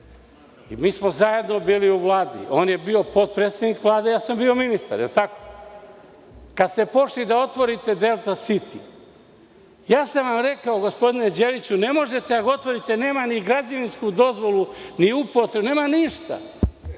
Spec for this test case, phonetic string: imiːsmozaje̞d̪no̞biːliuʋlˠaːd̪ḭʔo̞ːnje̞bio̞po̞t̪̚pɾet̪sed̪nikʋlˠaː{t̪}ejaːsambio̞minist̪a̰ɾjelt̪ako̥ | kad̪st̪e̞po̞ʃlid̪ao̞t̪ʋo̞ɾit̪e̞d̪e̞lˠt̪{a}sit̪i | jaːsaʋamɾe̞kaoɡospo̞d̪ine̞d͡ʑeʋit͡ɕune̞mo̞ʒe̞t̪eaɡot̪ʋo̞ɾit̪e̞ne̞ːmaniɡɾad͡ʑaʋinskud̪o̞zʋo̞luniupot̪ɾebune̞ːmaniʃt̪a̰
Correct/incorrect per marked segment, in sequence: incorrect: d̪, correct

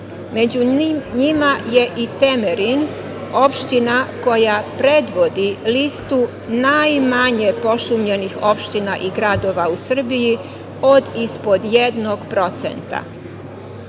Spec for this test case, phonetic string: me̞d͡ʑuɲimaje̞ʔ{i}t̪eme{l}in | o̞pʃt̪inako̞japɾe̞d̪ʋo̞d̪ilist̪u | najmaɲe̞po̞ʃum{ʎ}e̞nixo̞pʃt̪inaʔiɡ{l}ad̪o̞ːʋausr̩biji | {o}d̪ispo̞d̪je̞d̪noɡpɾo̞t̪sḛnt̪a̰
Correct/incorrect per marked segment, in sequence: correct, incorrect: ɾ, correct, incorrect: ɾ, correct

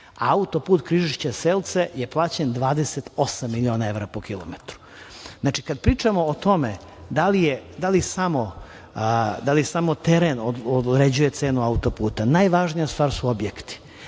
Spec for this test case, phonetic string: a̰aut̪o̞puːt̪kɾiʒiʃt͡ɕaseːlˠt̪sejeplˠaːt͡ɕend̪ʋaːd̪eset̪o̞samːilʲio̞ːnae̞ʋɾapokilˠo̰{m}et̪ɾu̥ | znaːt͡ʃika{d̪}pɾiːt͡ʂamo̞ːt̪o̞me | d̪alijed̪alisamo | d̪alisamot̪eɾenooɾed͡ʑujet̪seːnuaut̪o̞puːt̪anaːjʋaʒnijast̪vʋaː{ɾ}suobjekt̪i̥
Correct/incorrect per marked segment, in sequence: correct, correct, correct

